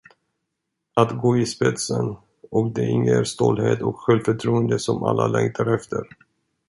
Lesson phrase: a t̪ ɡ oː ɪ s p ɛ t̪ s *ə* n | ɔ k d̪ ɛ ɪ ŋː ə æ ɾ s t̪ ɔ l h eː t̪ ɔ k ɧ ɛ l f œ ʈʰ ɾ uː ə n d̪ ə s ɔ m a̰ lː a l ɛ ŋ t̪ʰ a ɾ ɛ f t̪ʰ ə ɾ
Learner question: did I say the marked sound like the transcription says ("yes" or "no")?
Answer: yes